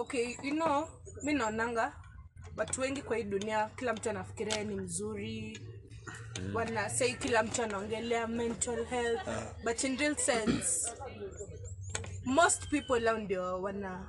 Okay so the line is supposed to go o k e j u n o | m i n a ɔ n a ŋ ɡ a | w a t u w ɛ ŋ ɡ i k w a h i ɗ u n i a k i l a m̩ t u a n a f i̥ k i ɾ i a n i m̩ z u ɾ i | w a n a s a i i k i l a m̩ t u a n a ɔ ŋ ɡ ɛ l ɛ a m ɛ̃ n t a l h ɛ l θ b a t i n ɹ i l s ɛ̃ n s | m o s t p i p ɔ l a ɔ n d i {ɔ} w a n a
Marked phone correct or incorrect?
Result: correct